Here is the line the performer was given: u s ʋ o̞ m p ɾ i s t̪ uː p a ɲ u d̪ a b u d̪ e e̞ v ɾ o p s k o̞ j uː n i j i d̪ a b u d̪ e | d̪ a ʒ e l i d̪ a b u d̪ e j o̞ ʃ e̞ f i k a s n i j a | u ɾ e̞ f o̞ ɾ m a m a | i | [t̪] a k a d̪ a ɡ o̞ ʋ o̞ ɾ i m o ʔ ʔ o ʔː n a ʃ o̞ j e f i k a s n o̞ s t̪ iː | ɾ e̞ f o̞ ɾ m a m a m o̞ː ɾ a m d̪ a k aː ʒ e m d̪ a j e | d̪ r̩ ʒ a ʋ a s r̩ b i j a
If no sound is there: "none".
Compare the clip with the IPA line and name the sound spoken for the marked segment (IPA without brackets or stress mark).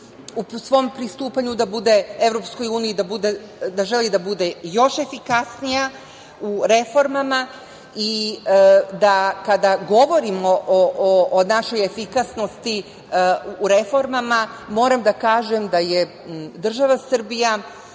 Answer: d̪